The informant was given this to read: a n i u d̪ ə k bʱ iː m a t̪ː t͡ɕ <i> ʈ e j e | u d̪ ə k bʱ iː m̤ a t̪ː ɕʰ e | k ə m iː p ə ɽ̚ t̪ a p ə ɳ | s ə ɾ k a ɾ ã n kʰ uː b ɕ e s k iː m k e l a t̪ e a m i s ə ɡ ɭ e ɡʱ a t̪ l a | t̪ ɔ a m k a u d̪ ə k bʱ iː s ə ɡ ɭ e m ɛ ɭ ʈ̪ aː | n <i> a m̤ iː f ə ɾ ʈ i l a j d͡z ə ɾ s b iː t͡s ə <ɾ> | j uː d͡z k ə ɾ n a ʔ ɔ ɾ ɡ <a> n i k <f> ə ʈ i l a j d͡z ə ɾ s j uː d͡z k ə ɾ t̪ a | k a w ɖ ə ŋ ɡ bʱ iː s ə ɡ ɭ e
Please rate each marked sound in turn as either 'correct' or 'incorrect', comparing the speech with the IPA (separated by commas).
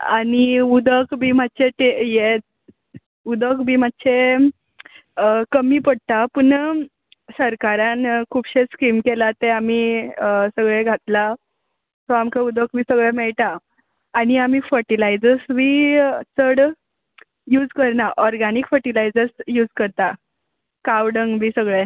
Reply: incorrect, correct, incorrect, correct, correct